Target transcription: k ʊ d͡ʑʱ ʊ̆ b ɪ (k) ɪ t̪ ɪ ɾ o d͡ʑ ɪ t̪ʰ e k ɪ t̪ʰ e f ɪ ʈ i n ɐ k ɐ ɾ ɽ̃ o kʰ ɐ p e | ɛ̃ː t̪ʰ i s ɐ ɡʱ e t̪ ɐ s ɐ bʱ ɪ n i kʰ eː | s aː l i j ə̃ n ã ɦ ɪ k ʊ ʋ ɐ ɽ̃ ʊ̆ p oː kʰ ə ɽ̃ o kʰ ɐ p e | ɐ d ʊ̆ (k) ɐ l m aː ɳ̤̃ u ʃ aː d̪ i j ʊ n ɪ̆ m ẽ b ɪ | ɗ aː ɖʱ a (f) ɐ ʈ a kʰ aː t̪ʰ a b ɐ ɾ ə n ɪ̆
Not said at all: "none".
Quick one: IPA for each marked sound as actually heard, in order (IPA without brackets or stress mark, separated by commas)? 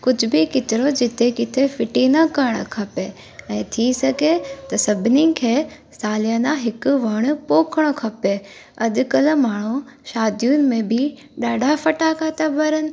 k, k, f